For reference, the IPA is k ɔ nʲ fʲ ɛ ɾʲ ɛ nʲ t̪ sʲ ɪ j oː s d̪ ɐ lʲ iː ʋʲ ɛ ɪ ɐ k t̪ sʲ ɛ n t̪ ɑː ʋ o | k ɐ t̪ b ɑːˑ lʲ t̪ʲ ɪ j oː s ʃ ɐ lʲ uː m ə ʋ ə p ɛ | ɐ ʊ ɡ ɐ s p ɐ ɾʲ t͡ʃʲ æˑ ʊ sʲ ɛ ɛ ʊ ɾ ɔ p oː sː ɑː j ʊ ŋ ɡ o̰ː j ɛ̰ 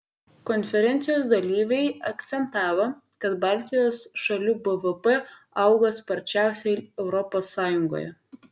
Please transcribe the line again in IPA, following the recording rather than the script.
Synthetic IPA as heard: k ɔ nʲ fʲ ɛ ɾʲ ɛ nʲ t̪ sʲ ɪ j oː s d̪ ɐ lʲ iː ʋʲ ɛ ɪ ɐ k t̪ sʲ ɛ n t̪ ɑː ʋ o | k ɐ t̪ b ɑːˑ lʲ t̪ʲ ɪ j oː s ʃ ɐ lʲ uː b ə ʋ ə p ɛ | ɐ ʊ ɡ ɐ s p ɐ ɾʲ t͡ʃʲ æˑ ʊ sʲ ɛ ɛ ʊ ɾ ɔ p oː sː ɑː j ʊ ŋ ɡ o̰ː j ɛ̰

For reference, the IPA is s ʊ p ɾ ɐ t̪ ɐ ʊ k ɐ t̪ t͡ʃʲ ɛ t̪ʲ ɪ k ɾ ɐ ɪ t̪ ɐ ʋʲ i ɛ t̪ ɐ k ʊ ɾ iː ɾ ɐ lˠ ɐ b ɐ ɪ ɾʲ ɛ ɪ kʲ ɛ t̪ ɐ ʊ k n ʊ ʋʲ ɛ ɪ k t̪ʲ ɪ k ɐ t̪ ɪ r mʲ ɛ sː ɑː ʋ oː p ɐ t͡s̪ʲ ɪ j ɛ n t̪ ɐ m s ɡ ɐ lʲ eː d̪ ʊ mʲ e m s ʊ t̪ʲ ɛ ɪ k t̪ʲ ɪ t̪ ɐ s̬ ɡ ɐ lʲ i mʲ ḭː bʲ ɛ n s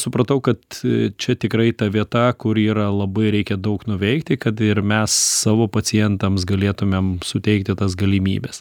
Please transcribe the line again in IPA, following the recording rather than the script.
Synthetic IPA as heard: s ʊ p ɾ ɐ t̪ ɐ ʊ k ɐ t̪ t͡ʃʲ ɛ t̪ʲ ɪ k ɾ ɐ ɪ t̪ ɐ ʋʲ i ɛ t̪ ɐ k ʊ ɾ iː ɾ ɐ lˠ ɐ b ɐ ɪ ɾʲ ɛ ɪ kʲ ɛ d̪ ɐ ʊ k n ʊ ʋʲ ɛ ɪ k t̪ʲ ɪ k ɐ t̪ ɪ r mʲ ɛ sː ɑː ʋ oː p ɐ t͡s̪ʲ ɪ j ɛ n t̪ ɐ m s ɡ ɐ lʲ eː t̪ ʊ mʲ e m s ʊ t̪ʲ ɛ ɪ k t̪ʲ ɪ t̪ ɐ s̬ ɡ ɐ lʲ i mʲ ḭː bʲ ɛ s

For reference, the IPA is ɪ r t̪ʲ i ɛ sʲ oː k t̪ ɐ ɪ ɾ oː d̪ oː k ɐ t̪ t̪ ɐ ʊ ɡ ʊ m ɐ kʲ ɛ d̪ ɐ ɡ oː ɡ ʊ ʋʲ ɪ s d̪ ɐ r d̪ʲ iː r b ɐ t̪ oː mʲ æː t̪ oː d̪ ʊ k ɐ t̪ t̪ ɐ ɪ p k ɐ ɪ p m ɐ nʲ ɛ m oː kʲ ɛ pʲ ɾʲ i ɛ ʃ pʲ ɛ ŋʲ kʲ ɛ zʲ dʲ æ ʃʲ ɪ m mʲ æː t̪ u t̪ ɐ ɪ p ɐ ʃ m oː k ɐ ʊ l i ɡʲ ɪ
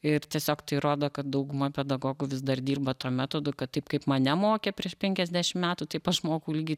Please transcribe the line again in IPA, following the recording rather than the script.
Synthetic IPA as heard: ɪ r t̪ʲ i ɛ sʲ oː k t̪ ɐ ɪ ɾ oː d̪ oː k ɐ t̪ d̪ ɐ ʊ ɡ ʊ m ɐ pʲ ɛ d̪ ɐ ɡ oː ɡ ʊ ʋʲ ɪ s d̪ ɐ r d̪ʲ iː r b ɐ t̪ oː mʲ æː t̪ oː d̪ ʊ k ɐ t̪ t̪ ɐ ɪ p k ɐ ɪ p m ɐ nʲ ɛ m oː kʲ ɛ pʲ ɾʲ i ɛ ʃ pʲ ɛ ŋʲ kʲ ɛ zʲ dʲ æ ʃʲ ɪ m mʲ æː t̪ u t̪ ɐ ɪ p ɐ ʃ m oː k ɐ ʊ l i ɡʲ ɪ

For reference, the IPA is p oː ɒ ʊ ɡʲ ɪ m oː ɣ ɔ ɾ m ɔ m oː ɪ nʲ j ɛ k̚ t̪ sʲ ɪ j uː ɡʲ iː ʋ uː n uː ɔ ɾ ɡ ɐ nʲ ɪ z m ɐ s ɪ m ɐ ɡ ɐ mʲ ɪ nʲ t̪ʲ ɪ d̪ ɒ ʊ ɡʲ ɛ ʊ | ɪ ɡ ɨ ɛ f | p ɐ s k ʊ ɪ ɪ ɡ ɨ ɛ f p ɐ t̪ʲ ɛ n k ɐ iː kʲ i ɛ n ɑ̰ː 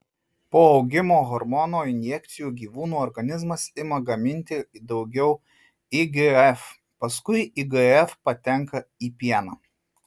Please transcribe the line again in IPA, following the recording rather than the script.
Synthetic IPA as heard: p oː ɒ ʊ ɡʲ ɪ m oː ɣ ɔ ɾ m ɔ n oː ɪ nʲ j ɛ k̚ t̪ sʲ ɪ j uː ɡʲ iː ʋ uː n uː ɔ ɾ ɡ ɐ nʲ ɪ z m ɐ s ɪ m ɐ ɡ ɐ mʲ ɪ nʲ t̪ʲ ɪ d̪ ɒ ʊ ɡʲ ɛ ʊ | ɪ ɡ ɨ ɛ f | p ɐ s k ʊ ɪ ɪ ɡ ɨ ɛ f p ɐ t̪ʲ ɛ ŋ k ɐ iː pʲ i ɛ n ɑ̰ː

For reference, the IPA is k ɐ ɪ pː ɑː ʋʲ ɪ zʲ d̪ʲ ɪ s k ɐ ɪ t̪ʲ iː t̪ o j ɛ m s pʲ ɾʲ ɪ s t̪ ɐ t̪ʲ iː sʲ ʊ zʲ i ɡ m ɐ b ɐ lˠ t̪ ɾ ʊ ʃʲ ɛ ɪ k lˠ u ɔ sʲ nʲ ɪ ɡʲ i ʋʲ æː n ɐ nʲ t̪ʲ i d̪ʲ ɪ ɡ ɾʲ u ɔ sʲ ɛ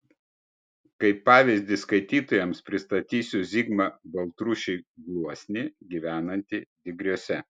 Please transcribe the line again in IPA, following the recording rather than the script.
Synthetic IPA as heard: k ɐ ɪ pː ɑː ʋʲ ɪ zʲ d̪ʲ ɪ s k ɐ ɪ t̪ʲ iː t̪ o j ɛ m s pʲ ɾʲ ɪ s t̪ ɐ t̪ʲ iː sʲ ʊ zʲ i ɡ m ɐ b ɐ lˠ t̪ ɾ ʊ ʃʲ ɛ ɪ ɡ lˠ u ɔ sʲ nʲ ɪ ɡʲ i ʋʲ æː n ɐ nʲ t̪ʲ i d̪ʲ ɪ ɡ ɾʲ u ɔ sʲ ɛ

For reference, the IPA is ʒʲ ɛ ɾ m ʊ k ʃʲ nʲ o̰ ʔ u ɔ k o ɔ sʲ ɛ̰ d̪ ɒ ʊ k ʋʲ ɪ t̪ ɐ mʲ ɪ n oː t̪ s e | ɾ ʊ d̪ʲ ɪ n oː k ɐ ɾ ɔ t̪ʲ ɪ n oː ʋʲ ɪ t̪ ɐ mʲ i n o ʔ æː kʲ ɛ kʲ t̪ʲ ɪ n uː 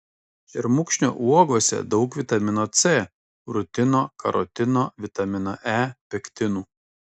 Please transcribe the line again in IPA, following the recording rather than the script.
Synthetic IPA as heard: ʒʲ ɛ ɾ m ʊ k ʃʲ nʲ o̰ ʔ u ɔ ɡ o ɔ sʲ ɛ̰ d̪ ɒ ʊ k ʋʲ ɪ t̪ ɐ mʲ ɪ n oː t̪ s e | ɾ ʊ t̪ʲ ɪ n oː k ɐ ɾ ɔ t̪ʲ ɪ n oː ʋʲ ɪ t̪ ɐ mʲ ɪ n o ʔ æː pʲ ɛ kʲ t̪ʲ ɪ n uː

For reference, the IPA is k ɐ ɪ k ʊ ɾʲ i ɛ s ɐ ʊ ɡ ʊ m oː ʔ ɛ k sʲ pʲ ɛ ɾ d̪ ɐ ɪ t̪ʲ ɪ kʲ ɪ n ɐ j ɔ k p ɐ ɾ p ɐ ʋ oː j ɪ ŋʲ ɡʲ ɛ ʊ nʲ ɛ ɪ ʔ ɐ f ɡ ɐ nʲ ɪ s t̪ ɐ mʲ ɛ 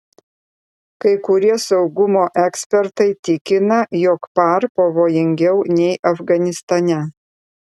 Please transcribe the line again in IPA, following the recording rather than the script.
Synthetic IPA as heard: k ɐ ɪ k ʊ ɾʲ i ɛ s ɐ ʊ ɡ ʊ m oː ʔ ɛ k sʲ pʲ ɛ ɾ t̪ ɐ ɪ t̪ʲ ɪ kʲ ɪ n ɐ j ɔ k p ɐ ɾ p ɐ ʋ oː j ɪ ŋʲ ɡʲ ɛ ʊ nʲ ɛ ɪ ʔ ɐ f ɡ ɐ nʲ ɪ s t̪ ɐ nʲ ɛ

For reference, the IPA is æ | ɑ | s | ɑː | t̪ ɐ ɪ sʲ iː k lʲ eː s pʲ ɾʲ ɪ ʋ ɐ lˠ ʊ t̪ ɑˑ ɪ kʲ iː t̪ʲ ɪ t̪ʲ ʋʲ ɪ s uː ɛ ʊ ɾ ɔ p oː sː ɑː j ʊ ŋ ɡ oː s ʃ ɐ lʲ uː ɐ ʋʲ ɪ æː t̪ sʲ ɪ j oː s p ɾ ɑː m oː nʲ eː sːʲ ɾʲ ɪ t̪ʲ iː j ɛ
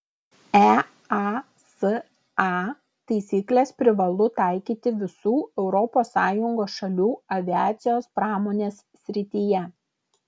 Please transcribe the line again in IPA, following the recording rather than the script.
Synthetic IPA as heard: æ | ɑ | s | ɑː | t̪ ɐ ɪ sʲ iː k lʲ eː s pʲ ɾʲ ɪ ʋ ɐ lˠ ʊ t̪ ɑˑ ɪ kʲ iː t̪ʲ ɪ ʋʲ ɪ s uː ɛ ʊ ɾ ɔ p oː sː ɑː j ʊ ŋ ɡ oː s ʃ ɐ lʲ uː ɐ ʋʲ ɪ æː t̪ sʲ ɪ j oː s p ɾ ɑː m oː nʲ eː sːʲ ɾʲ ɪ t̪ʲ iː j ɛ

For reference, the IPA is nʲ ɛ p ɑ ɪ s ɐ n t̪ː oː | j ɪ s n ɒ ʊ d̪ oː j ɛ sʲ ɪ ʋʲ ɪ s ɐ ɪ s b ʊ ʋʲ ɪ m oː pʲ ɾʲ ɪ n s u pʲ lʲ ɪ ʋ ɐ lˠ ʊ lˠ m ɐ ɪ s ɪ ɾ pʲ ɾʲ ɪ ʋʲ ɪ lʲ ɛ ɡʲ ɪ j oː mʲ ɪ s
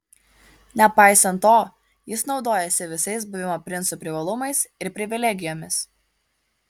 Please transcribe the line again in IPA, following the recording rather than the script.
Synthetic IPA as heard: nʲ ɛ p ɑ ɪ s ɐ n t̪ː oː | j ɪ s n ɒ ʊ d̪ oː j ɛ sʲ ɪ ʋʲ ɪ s ɐ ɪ s b ʊ ʋʲ ɪ m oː pʲ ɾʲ ɪ n s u pʲ ɾʲ ɪ ʋ ɐ lˠ ʊ m ɐ ɪ s ɪ ɾ pʲ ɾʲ ɪ ʋʲ ɪ lʲ ɛ ɡʲ ɪ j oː mʲ ɪ s

